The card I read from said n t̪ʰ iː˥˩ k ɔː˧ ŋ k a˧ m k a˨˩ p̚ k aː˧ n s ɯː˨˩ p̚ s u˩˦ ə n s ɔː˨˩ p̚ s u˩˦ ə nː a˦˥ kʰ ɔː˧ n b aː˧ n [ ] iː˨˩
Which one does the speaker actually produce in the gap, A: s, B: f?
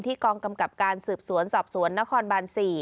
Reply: A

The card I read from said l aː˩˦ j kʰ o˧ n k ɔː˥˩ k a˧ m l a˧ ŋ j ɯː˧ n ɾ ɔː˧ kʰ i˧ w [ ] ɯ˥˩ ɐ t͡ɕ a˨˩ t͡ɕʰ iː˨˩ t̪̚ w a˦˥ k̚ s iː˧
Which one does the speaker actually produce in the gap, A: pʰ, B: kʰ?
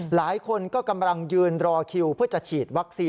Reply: A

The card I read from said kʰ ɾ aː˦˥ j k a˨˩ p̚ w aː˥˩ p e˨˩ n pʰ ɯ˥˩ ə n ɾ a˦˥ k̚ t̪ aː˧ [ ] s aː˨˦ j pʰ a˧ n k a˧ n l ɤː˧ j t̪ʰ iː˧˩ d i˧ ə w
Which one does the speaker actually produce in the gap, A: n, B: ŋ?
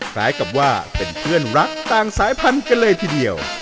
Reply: B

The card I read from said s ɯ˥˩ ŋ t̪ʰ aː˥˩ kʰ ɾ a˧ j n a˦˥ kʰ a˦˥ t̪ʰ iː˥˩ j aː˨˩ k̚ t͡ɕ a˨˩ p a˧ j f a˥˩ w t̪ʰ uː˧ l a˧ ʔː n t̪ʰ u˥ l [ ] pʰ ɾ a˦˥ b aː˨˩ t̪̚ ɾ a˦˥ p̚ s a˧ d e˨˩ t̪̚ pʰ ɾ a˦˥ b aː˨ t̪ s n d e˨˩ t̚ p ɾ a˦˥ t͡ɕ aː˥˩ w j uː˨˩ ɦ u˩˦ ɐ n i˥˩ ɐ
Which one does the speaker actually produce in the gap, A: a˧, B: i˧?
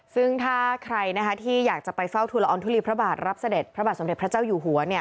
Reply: B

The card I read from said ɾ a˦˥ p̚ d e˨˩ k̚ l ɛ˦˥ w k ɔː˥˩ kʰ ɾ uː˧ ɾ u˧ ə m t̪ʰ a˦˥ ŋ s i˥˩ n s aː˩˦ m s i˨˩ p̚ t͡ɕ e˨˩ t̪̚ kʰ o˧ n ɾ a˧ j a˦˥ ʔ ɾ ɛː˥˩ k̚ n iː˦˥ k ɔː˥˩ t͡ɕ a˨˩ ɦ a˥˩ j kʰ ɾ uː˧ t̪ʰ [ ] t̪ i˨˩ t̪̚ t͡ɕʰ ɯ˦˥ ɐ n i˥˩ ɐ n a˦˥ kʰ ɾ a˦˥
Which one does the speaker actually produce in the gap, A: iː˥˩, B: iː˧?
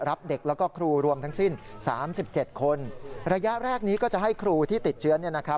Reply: A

